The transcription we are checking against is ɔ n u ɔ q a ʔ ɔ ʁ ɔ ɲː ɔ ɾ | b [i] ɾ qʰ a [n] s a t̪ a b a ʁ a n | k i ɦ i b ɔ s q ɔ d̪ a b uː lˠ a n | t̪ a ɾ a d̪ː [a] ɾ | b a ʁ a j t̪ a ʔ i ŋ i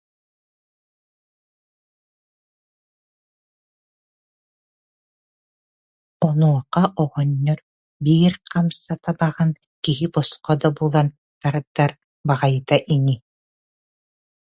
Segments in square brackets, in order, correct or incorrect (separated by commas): incorrect, incorrect, correct